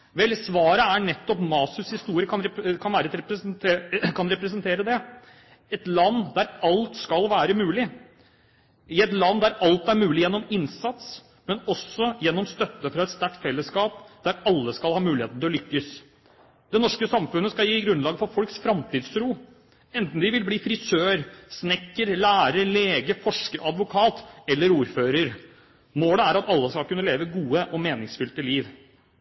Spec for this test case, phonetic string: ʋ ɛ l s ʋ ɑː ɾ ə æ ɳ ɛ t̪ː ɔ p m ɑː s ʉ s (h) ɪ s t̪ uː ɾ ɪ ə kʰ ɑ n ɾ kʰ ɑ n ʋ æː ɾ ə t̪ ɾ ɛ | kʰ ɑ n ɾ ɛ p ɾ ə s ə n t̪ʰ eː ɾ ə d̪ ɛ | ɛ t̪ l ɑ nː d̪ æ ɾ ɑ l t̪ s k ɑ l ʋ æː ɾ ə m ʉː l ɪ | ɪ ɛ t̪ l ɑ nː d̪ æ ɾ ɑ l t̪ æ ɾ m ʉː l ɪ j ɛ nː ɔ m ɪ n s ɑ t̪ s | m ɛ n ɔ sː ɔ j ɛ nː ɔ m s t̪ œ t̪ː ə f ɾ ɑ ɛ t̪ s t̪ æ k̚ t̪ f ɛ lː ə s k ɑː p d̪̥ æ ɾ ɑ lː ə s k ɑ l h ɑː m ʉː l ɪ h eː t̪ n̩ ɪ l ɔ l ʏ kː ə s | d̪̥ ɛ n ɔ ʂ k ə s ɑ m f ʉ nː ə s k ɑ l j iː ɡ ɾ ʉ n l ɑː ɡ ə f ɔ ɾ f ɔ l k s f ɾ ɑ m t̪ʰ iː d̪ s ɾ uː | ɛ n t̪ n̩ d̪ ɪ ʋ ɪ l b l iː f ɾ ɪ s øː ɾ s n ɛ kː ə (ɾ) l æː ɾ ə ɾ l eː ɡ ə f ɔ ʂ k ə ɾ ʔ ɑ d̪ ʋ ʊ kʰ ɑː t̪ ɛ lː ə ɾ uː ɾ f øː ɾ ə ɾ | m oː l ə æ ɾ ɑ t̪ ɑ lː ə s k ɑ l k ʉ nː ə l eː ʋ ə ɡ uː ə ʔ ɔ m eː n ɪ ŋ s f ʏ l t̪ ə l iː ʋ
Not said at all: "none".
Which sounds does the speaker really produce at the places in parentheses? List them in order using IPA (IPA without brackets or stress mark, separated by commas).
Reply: h, ɾ